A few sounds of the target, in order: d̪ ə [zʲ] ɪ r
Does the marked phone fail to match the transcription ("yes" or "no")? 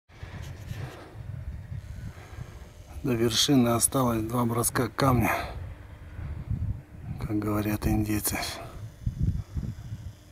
yes